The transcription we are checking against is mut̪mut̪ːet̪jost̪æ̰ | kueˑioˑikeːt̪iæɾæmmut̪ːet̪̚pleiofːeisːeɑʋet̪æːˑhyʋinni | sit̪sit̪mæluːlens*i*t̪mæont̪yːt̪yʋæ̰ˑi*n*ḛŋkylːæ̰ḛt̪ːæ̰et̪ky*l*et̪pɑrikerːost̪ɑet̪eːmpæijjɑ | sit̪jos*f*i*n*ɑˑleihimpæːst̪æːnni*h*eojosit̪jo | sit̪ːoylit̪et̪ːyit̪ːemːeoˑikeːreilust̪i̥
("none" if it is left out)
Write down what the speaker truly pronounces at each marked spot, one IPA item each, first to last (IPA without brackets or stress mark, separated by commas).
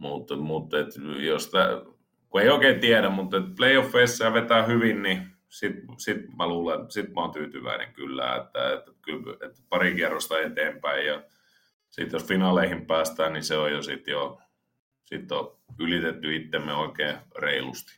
i, n, l, f, n, s